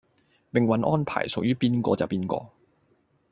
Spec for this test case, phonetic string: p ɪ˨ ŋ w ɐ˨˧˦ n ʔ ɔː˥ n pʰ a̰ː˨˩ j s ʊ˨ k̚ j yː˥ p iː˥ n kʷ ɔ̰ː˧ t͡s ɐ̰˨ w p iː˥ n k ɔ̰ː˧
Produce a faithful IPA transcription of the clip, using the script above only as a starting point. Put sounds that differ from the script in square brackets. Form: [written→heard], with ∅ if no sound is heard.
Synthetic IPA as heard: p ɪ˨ ŋ w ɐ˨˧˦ n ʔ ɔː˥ n pʰ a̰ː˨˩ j s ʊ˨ k̚ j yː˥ p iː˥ n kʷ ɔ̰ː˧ t͡s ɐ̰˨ w p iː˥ n k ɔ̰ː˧